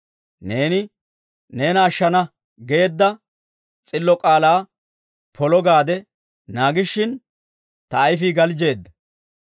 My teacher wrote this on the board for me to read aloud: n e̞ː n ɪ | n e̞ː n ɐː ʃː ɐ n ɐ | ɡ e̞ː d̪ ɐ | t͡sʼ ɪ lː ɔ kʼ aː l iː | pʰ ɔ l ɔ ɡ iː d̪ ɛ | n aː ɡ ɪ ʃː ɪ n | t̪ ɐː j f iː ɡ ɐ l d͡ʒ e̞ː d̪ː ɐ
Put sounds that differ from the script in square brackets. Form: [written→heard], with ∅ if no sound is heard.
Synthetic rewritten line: n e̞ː n ɪ | n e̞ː n ɐː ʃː ɐ n ɐ | ɡ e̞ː [d̪→d̪ː] ɐ | t͡sʼ ɪ lː ɔ kʼ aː l [iː→aː] | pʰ ɔ l ɔ ɡ [iː→aː] d̪ ɛ | n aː ɡ ɪ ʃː ɪ n | t̪ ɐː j f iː ɡ ɐ l d͡ʒ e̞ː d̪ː ɐ

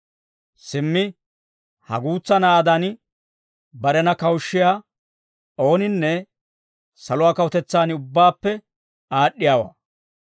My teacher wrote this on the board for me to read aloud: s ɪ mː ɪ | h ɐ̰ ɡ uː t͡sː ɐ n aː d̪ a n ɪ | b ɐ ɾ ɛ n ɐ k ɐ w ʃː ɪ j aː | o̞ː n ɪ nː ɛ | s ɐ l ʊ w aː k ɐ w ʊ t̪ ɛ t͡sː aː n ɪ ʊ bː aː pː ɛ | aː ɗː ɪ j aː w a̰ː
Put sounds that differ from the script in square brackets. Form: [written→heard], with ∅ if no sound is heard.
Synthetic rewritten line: s ɪ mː ɪ | h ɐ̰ ɡ uː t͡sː ɐ n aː d̪ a n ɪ | b ɐ ɾ ɛ n ɐ k ɐ w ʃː ɪ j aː | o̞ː n ɪ nː ɛ | s ɐ l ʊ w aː k ɐ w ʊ t̪ ɛ t͡sː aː n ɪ ʊ bː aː pː ɛ | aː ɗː ɪ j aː w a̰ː

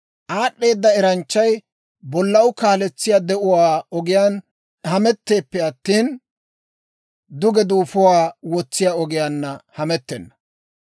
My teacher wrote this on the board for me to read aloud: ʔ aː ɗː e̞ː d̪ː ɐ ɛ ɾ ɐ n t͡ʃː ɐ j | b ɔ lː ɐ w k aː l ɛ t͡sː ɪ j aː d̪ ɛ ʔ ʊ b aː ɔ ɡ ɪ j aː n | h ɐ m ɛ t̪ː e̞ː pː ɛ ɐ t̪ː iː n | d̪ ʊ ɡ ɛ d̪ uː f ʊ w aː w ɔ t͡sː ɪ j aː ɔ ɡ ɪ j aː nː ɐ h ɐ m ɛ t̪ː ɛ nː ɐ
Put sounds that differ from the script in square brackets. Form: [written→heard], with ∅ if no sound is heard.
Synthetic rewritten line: ʔ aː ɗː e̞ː d̪ː ɐ ɛ ɾ ɐ n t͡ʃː ɐ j | b ɔ lː ɐ w k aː l ɛ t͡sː ɪ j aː d̪ ɛ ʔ ʊ [b→w] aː ɔ ɡ ɪ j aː n | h ɐ m ɛ t̪ː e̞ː pː ɛ ɐ t̪ː iː n | d̪ ʊ ɡ ɛ d̪ uː f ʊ w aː w ɔ t͡sː ɪ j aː ɔ ɡ ɪ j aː nː ɐ h ɐ m ɛ t̪ː ɛ nː ɐ

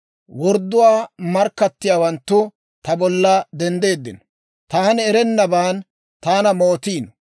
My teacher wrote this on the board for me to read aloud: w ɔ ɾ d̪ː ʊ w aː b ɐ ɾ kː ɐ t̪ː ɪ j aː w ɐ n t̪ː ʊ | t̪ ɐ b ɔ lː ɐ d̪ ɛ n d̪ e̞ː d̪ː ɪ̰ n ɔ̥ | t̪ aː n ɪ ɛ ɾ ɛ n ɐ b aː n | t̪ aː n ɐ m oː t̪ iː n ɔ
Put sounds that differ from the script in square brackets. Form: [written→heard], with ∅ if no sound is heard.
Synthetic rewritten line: w ɔ ɾ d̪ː ʊ w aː [b→m] ɐ ɾ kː ɐ t̪ː ɪ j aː w ɐ n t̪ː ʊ | t̪ ɐ b ɔ lː ɐ d̪ ɛ n d̪ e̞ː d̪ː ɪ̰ n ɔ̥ | t̪ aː n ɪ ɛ ɾ ɛ [n→nː] ɐ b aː n | t̪ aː n ɐ m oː t̪ iː n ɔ

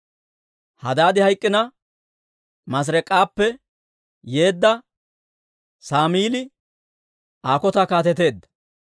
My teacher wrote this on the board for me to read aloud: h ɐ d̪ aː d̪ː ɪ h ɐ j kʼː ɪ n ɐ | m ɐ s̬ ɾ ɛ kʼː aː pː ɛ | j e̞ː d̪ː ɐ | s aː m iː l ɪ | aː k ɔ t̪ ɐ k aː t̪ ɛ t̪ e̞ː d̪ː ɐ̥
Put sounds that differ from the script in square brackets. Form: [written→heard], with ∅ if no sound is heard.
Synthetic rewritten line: h ɐ d̪ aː [d̪ː→d̪] ɪ h ɐ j kʼː ɪ n ɐ | m ɐ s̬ ɾ ɛ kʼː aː pː ɛ | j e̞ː d̪ː ɐ | s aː m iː l ɪ | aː k ɔ t̪ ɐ k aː t̪ ɛ t̪ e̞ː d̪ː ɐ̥

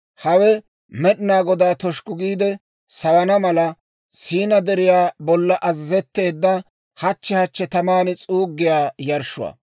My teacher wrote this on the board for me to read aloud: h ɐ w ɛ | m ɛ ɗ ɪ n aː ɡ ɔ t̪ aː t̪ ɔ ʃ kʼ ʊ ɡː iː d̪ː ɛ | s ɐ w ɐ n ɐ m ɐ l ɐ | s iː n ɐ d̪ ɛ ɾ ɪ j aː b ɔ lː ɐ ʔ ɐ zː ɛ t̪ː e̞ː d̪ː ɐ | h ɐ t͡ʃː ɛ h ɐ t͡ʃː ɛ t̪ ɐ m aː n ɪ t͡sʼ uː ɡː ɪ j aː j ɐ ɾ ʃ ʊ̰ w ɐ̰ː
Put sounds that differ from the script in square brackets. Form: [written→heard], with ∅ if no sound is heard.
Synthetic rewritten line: h ɐ w ɛ | m ɛ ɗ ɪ n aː ɡ ɔ [t̪→d̪] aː t̪ ɔ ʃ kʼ ʊ [ɡː→ɡ] iː [d̪ː→d̪] ɛ | s ɐ w ɐ n ɐ m ɐ l ɐ | s iː n ɐ d̪ ɛ ɾ ɪ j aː b ɔ lː ɐ ʔ ɐ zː ɛ t̪ː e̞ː d̪ː ɐ | h ɐ t͡ʃː ɛ h ɐ t͡ʃː ɛ t̪ ɐ m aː n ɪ t͡sʼ uː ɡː ɪ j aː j ɐ ɾ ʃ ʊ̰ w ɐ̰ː

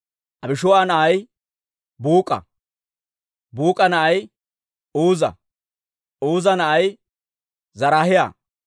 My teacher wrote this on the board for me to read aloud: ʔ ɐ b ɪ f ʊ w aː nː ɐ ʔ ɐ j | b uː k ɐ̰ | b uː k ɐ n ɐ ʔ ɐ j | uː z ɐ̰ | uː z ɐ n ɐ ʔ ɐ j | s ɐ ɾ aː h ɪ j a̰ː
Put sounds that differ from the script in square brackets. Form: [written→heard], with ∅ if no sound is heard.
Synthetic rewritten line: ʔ ɐ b ɪ [f→ʃ] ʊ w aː [nː→n] ɐ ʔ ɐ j | b uː [k→kʼ] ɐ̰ | b uː [k→kʼ] ɐ n ɐ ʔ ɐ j | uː z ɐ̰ | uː z ɐ n ɐ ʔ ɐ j | [s→z] ɐ ɾ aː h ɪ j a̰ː

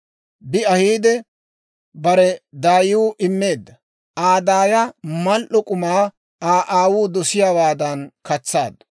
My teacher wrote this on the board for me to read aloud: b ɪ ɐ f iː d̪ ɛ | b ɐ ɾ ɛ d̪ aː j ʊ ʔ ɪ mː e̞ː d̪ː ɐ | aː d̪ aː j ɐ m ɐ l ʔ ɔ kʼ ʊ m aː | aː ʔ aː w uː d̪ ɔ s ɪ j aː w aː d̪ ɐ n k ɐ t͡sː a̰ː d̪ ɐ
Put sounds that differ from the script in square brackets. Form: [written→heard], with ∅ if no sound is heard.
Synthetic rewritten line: b ɪ ɐ [f→h] iː d̪ ɛ | b ɐ ɾ ɛ d̪ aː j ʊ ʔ ɪ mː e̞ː d̪ː ɐ | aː d̪ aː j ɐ m ɐ l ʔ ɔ kʼ ʊ m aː | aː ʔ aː w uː d̪ ɔ s ɪ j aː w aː d̪ ɐ n k ɐ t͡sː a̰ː d̪ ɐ

